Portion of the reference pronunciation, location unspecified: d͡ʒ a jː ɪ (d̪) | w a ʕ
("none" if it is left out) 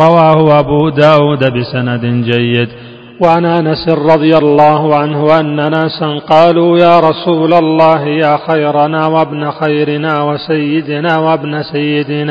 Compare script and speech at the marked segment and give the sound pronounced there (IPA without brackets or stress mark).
d̪